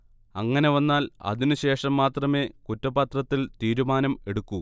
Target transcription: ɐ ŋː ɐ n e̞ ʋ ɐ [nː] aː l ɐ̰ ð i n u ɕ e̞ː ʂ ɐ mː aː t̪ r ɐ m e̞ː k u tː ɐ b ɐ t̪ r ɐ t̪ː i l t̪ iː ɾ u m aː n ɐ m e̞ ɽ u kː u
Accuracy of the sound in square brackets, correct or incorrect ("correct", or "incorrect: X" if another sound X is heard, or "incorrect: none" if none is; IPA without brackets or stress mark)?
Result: correct